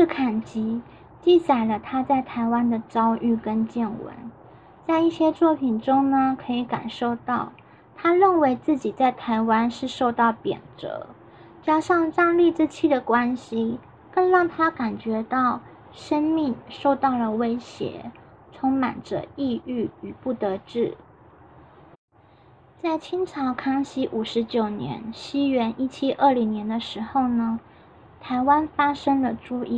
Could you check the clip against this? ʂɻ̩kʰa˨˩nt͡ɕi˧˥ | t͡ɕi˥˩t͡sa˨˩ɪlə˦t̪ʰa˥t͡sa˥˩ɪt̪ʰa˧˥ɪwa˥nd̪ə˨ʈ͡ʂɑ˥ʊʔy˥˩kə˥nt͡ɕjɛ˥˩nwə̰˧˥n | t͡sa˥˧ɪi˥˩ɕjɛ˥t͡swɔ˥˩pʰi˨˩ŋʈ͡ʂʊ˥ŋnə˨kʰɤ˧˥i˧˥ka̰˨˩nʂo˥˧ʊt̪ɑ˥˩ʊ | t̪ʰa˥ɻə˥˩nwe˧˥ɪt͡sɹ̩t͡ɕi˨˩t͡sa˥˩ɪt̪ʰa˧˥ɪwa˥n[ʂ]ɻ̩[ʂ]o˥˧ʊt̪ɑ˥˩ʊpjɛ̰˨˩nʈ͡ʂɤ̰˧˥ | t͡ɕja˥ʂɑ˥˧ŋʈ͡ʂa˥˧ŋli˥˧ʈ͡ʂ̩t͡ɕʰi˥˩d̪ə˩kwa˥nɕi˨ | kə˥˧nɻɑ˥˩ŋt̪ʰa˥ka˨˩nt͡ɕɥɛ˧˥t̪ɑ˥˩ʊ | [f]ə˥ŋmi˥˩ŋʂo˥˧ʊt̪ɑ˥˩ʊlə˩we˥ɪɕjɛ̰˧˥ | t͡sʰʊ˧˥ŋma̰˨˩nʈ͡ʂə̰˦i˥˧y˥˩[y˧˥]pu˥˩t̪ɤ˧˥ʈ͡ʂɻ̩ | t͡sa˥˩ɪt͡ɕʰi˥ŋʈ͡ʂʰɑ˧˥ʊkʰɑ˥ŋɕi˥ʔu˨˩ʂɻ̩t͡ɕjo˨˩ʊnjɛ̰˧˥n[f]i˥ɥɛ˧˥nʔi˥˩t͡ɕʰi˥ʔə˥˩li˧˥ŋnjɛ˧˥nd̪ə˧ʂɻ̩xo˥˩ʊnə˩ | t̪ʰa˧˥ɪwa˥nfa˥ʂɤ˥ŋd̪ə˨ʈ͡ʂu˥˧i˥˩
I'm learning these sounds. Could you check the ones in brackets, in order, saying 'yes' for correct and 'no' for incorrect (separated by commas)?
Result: yes, yes, no, no, no